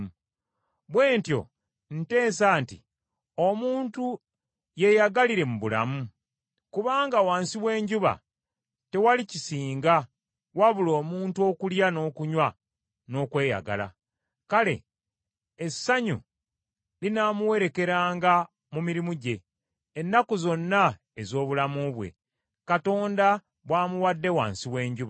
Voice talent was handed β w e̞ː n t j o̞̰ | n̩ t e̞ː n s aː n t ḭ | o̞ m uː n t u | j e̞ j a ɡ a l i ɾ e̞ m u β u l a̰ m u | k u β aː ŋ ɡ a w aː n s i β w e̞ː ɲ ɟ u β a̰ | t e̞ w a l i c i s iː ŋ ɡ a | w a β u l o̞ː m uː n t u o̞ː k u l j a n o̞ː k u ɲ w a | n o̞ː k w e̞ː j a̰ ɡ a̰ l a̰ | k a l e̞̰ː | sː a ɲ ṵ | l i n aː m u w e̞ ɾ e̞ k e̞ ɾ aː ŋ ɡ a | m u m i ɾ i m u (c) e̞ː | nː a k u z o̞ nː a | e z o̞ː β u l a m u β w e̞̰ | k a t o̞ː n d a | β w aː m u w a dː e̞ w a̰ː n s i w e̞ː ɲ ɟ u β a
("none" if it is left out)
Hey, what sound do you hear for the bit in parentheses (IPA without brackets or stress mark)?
ɟ